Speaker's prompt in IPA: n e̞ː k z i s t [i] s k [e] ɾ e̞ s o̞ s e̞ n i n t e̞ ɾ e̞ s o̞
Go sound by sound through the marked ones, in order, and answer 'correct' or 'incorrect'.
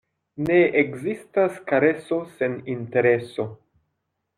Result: incorrect, incorrect

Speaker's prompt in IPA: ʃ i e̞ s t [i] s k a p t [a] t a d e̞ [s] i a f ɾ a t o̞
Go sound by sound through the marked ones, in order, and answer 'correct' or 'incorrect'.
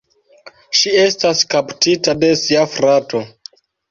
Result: incorrect, incorrect, correct

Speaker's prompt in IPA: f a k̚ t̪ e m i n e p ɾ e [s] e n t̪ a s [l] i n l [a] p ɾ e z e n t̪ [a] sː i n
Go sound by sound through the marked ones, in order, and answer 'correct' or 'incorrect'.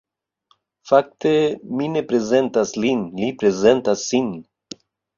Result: incorrect, correct, incorrect, correct

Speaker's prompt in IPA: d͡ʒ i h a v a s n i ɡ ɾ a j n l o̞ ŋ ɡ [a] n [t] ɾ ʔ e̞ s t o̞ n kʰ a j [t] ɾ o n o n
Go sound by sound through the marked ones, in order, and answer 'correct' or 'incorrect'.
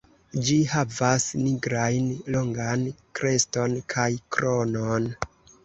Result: correct, incorrect, incorrect

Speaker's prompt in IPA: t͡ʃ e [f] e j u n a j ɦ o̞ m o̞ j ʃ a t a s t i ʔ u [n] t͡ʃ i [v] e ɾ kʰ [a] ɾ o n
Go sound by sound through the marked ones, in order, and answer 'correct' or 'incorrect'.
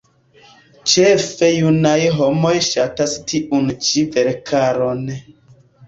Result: correct, correct, correct, correct

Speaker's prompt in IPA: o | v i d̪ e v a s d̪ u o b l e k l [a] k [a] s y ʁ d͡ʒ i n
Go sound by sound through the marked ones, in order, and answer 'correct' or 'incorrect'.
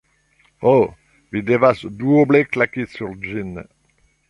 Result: correct, incorrect

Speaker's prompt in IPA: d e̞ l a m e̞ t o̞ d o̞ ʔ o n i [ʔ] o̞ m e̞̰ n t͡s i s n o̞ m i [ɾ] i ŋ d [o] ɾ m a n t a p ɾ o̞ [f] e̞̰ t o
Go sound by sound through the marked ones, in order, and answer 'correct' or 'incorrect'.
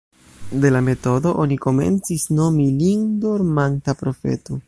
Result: incorrect, incorrect, correct, correct

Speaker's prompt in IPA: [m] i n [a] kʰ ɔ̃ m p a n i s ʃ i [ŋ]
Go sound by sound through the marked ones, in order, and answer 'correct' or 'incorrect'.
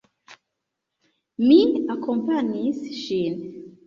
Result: correct, correct, incorrect

